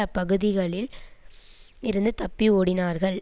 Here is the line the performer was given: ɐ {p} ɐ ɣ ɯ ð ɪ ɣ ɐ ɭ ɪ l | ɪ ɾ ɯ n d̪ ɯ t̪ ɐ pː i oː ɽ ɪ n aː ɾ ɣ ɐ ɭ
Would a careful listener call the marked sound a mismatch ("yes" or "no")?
no